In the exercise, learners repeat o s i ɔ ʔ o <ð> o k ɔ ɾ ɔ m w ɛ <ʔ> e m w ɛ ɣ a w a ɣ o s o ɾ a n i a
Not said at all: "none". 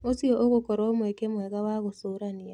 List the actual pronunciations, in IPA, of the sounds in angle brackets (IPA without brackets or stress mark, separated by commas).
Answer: ɣ, k